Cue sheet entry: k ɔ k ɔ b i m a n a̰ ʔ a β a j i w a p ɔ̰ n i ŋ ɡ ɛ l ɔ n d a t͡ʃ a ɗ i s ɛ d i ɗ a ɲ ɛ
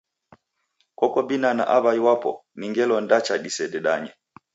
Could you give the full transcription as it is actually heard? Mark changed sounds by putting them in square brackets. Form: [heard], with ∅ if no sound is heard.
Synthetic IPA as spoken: k ɔ k ɔ b i [n] a n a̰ ʔ a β a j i w a p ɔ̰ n i ŋ ɡ ɛ l ɔ n d a t͡ʃ a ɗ i s ɛ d [ɛ] ɗ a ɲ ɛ